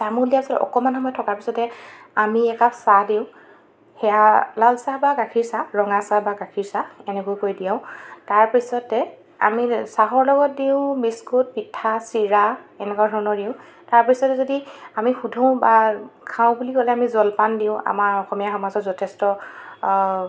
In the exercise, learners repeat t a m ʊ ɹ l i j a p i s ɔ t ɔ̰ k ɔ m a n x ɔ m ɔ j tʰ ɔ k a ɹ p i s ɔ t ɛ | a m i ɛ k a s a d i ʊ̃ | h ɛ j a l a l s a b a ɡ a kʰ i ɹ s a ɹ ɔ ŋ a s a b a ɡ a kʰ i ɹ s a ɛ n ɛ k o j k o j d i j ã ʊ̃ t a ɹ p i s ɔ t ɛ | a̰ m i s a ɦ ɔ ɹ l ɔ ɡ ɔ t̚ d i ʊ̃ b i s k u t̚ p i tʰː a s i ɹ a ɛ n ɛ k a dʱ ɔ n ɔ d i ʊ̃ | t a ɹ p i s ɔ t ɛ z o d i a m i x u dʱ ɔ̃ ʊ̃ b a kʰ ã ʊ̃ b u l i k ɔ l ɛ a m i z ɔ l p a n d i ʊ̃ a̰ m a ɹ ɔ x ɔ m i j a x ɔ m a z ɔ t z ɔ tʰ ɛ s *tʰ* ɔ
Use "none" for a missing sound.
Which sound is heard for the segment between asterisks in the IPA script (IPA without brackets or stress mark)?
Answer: t